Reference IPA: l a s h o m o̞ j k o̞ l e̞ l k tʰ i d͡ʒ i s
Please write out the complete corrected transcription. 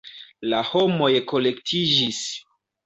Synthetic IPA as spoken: l a h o m o̞ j k o̞ l e̞ k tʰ i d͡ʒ i s